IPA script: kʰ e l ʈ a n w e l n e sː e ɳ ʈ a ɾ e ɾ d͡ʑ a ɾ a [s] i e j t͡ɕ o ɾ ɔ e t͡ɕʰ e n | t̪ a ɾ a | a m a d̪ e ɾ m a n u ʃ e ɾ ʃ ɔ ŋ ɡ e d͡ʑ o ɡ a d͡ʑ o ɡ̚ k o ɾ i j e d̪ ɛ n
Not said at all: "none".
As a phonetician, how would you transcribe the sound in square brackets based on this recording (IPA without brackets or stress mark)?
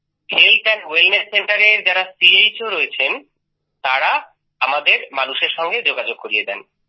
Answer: s